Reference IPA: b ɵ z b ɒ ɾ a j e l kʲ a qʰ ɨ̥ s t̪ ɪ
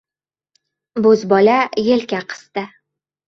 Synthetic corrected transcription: b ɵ z b ɒ l a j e l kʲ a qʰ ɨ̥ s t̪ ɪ